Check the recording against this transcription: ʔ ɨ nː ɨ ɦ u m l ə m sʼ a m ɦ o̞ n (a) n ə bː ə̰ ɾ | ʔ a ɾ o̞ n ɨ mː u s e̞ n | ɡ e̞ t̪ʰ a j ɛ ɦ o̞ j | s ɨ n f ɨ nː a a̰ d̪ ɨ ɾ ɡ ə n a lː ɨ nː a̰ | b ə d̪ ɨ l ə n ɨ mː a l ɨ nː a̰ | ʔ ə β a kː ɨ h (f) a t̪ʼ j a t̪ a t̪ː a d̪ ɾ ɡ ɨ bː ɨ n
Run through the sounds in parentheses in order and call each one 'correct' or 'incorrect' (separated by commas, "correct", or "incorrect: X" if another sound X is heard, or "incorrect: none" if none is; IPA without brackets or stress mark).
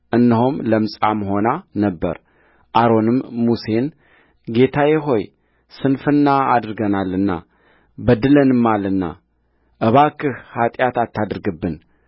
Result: correct, incorrect: h